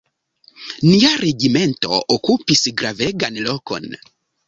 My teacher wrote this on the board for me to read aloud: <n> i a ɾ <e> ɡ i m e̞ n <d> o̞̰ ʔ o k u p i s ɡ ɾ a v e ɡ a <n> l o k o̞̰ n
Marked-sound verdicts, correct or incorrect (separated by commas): correct, correct, incorrect, correct